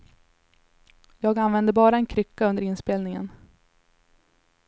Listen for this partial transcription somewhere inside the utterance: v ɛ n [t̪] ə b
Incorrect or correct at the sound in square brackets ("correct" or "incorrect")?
incorrect